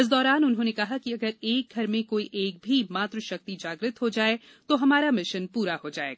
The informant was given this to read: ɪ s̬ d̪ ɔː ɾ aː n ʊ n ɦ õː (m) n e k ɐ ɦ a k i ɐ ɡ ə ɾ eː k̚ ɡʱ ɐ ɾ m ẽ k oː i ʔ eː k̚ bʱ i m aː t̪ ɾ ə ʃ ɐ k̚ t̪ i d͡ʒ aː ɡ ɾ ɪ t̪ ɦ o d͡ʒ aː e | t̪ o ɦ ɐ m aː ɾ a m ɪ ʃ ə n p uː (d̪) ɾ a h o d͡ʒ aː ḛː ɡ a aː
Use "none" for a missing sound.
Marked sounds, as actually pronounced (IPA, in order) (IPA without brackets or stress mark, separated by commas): none, none